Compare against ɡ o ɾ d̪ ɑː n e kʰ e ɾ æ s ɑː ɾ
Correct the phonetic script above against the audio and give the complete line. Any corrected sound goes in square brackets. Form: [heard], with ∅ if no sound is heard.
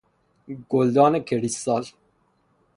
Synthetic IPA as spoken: ɡ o [l] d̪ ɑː n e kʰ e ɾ [i] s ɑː [l]

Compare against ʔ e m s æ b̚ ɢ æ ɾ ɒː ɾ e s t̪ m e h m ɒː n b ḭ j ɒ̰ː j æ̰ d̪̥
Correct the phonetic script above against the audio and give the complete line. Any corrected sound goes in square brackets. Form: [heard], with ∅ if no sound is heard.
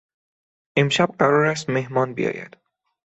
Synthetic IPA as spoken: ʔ e m [ʃ] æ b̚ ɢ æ ɾ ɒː ɾ [æ] s t̪ m e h m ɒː n b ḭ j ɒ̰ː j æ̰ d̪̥

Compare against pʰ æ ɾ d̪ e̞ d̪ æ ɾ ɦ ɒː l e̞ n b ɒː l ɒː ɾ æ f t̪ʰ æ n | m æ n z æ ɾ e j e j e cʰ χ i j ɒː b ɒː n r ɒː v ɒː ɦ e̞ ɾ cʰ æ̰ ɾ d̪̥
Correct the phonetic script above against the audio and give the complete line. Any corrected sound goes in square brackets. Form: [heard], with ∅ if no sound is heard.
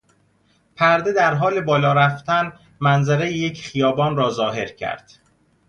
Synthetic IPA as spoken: pʰ æ ɾ d̪ e̞ d̪ æ ɾ ɦ ɒː l e̞ [∅] b ɒː l ɒː ɾ æ f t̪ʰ æ n | m æ n z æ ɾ e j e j e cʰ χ i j ɒː b ɒː n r ɒː [z] ɒː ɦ e̞ ɾ cʰ æ̰ ɾ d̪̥

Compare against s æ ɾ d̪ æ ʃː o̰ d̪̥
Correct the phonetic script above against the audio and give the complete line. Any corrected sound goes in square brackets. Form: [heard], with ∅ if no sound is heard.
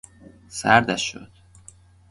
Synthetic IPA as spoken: s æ ɾ d̪ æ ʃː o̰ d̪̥

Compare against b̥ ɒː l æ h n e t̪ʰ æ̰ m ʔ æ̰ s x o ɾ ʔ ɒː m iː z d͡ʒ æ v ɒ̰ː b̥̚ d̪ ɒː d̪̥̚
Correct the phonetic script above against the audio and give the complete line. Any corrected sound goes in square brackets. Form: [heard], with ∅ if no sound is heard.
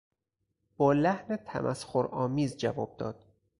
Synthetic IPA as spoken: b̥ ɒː l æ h n e t̪ʰ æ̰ m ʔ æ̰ s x o ɾ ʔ ɒː m iː z d͡ʒ æ v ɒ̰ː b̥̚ d̪ ɒː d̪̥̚

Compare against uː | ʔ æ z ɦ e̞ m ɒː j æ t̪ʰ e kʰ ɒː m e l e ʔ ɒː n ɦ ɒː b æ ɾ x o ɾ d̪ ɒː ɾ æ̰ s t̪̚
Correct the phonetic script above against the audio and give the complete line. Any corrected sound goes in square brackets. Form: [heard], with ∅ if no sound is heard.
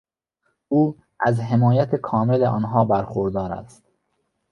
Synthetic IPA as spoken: uː | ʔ æ z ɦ e̞ m ɒː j æ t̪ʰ e kʰ ɒː m e l e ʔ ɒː n ɦ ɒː b æ ɾ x o ɾ d̪ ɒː ɾ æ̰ s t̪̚

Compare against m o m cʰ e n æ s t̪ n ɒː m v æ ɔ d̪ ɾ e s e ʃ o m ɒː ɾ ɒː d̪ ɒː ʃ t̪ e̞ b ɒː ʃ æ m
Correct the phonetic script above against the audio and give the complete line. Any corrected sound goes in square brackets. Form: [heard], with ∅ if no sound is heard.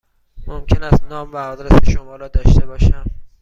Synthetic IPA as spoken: m o m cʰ e n æ s t̪ n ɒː m v æ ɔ d̪ ɾ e s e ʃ o m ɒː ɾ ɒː d̪ ɒː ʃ t̪ e̞ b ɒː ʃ æ m

